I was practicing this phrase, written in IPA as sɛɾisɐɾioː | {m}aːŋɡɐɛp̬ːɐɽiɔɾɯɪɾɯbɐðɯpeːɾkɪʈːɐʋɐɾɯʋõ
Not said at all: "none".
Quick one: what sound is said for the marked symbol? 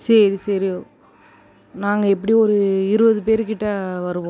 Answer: n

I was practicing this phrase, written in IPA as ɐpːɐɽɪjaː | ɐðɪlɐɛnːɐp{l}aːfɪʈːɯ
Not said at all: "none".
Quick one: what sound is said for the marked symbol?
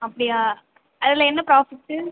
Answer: ɾ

